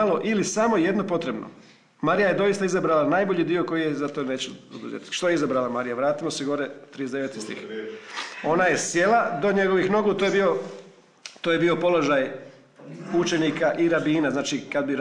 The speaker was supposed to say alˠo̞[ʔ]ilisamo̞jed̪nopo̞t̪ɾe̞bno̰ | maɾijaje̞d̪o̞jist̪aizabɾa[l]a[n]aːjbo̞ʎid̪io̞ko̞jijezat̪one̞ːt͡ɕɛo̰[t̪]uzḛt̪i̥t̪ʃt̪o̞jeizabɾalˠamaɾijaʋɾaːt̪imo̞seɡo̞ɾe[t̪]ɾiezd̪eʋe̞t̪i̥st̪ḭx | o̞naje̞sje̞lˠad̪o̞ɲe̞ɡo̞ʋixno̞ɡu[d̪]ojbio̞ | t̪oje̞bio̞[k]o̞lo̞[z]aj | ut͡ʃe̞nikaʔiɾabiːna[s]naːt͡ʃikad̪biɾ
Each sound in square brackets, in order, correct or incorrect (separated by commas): correct, correct, correct, incorrect, correct, incorrect, incorrect, incorrect, incorrect